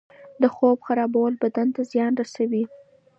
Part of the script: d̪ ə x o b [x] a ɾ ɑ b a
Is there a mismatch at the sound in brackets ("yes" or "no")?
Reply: no